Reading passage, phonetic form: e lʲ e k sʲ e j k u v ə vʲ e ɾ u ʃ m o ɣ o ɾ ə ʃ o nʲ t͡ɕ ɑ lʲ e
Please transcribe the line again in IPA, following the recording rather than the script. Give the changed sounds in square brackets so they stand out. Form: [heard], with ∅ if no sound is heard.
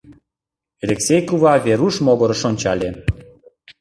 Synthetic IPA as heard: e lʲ e k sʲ e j k u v [ɑ] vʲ e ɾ u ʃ m o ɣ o ɾ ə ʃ o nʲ t͡ɕ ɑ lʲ e